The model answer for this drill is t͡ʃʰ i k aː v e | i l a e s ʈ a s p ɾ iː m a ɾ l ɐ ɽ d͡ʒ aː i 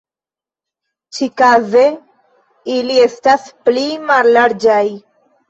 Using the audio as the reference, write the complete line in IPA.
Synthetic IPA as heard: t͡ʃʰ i k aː z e | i l i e s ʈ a s p l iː m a ɾ l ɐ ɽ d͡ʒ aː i